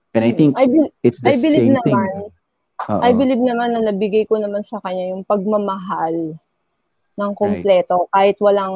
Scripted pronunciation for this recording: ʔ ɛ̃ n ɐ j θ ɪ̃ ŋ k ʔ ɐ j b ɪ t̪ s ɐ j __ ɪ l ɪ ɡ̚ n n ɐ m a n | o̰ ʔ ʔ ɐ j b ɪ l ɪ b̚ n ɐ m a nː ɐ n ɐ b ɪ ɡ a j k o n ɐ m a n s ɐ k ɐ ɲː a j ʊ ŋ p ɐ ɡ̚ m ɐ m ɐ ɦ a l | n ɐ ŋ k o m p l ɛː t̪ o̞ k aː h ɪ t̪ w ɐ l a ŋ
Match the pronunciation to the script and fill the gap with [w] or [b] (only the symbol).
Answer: b